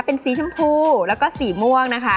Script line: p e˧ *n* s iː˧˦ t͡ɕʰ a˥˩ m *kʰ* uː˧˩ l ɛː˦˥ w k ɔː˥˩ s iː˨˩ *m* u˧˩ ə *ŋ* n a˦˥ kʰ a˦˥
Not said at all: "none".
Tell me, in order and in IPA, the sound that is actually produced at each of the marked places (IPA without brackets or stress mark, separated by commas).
n, pʰ, m, ŋ